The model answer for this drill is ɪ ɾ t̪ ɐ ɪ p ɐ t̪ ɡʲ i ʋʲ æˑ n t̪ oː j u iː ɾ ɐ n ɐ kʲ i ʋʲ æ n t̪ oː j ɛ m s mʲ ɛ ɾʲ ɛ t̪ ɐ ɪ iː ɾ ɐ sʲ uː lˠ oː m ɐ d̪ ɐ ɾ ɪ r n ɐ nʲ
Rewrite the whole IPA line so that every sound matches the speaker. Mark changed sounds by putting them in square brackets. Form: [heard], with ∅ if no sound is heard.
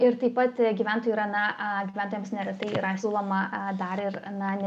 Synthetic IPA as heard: ɪ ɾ t̪ ɐ ɪ p ɐ t̪ ɡʲ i ʋʲ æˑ n t̪ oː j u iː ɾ ɐ n ɐ [ɡʲ] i ʋʲ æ n t̪ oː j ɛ m s [nʲ] ɛ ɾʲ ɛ t̪ ɐ ɪ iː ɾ ɐ sʲ uː lˠ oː m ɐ d̪ ɐ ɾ ɪ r n ɐ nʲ